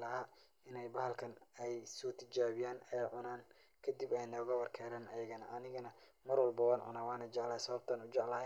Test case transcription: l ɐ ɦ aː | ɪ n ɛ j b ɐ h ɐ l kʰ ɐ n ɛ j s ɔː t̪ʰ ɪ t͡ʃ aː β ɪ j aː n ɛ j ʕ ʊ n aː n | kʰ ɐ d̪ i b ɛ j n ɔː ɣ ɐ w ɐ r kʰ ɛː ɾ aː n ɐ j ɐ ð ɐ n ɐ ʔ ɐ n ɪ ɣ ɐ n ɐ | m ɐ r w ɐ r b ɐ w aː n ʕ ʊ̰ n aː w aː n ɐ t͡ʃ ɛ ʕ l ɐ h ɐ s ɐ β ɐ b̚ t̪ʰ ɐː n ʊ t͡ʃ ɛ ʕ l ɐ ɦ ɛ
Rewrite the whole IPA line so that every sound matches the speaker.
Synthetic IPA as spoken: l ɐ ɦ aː | ɪ n ɛ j b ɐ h ɐ l kʰ ɐ n ɛ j s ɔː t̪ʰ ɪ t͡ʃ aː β ɪ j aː n ɛ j ʕ ʊ n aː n | kʰ ɐ d̪ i b ɛ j n ɔː ɣ ɐ w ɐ r kʰ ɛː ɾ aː n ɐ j ɐ ɣ ɐ n ɐ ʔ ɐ n ɪ ɣ ɐ n ɐ | m ɐ r w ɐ l b ɐ w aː n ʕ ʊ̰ n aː w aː n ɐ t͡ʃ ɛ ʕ l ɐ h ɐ s ɐ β ɐ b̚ t̪ʰ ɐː n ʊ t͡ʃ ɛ ʕ l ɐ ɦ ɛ